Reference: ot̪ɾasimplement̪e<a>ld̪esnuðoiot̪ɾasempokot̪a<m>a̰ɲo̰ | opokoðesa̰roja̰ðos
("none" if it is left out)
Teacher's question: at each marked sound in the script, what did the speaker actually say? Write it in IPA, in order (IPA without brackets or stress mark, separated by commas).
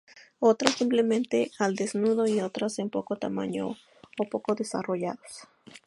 a, m